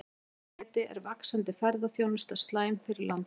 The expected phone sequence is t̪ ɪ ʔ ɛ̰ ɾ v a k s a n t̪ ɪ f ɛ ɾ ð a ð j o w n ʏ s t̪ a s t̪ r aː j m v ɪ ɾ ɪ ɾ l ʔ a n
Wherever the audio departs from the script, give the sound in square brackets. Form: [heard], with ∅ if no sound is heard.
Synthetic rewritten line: t̪ ɪ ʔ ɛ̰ ɾ v a k s a n t̪ ɪ f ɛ ɾ ð a [θ] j o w n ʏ s t̪ a s t̪ [l] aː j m [f] ɪ ɾ ɪ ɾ l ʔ a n